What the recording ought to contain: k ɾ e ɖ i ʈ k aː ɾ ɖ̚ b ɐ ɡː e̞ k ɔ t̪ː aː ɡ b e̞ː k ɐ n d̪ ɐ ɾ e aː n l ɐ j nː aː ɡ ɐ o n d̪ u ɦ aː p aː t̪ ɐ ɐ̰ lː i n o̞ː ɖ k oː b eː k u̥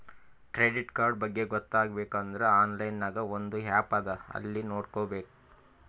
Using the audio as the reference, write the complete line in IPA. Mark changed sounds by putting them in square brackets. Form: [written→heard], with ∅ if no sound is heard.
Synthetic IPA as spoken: k ɾ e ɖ i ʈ k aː ɾ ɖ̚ b ɐ ɡː e̞ [k→ɡ] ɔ t̪ː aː ɡ b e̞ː k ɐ n d̪ ɐ ɾ e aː n l ɐ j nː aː ɡ ɐ o n d̪ u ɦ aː p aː [t̪→d̪] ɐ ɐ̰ lː i n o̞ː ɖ k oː b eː k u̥